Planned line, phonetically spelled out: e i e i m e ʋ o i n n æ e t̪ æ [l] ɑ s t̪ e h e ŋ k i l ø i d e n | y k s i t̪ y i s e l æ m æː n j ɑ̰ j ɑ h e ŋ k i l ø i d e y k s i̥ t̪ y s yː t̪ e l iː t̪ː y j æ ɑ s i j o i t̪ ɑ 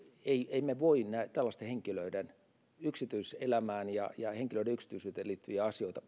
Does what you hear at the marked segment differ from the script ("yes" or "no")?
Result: yes